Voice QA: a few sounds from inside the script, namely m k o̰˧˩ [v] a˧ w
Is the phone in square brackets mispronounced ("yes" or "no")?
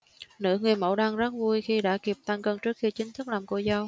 yes